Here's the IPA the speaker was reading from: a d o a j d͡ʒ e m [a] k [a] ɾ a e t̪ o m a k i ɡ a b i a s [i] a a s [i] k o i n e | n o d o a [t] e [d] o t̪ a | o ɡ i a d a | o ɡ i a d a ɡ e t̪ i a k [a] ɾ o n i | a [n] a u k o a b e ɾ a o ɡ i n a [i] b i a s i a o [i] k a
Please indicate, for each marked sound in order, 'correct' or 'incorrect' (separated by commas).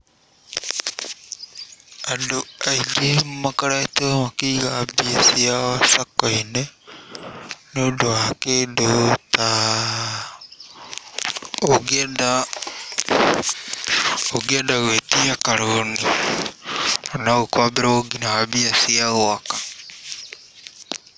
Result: correct, correct, correct, incorrect, incorrect, correct, correct, correct, incorrect, incorrect